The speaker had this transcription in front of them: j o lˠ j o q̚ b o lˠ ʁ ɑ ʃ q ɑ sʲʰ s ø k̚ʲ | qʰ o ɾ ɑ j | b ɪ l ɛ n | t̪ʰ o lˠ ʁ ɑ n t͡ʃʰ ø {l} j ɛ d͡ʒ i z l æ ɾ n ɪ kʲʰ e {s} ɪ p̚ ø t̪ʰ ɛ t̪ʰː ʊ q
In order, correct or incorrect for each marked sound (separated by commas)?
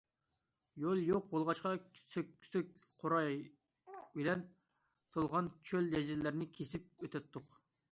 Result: correct, correct